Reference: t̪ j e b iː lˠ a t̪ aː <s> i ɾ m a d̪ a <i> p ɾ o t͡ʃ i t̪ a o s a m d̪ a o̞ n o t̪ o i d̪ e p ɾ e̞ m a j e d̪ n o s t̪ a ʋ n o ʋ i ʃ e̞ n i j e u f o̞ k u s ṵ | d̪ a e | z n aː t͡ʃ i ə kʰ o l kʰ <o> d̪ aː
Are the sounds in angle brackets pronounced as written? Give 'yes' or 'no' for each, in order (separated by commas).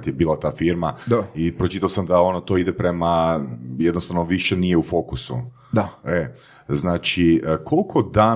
no, yes, yes